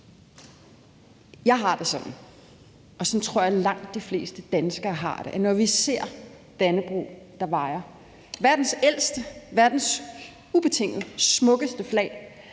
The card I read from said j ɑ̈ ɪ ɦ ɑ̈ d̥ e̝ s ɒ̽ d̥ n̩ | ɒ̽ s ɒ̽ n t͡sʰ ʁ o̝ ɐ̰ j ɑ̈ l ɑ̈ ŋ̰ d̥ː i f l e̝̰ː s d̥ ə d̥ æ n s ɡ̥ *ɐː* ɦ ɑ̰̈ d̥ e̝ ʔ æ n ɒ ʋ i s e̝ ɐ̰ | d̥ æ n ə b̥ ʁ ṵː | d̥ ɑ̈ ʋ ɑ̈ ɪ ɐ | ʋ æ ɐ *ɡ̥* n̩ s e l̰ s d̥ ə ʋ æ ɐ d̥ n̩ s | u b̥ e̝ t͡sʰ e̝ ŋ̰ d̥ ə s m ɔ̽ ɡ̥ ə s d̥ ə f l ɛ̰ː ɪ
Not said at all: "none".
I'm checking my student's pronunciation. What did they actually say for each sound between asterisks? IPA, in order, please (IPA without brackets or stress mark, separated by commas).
ɐː, d̥